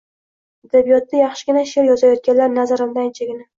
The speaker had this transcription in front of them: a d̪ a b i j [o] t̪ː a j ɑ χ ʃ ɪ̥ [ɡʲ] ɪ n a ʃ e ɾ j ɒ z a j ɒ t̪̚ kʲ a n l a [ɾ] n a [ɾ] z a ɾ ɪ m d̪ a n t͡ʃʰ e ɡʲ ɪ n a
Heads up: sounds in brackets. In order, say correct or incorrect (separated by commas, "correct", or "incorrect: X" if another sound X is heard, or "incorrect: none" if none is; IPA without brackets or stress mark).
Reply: incorrect: ɒ, correct, correct, incorrect: none